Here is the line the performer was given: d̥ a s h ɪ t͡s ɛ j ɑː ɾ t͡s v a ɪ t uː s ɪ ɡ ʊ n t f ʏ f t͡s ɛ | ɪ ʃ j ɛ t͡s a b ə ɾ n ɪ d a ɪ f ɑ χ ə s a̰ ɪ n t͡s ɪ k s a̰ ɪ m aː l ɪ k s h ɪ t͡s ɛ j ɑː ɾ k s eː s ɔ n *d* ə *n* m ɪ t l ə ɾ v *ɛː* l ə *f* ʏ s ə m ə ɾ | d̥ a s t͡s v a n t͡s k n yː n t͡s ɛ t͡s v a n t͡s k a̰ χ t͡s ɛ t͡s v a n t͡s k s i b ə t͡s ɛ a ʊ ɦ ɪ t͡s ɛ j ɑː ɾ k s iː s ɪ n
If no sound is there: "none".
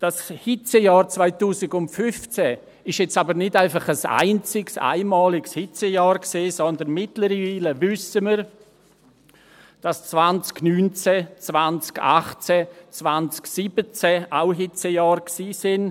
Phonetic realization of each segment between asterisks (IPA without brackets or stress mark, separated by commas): d, n, iː, v